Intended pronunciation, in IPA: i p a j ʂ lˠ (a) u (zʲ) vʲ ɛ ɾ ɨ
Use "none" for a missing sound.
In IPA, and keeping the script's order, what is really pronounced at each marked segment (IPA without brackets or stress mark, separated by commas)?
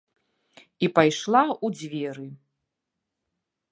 a, d͡zʲ